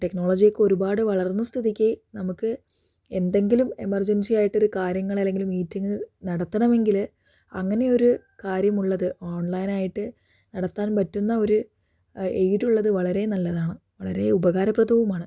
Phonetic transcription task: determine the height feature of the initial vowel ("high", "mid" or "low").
mid